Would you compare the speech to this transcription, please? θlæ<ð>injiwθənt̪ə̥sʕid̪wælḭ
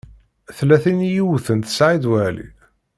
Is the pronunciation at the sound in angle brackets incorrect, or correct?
incorrect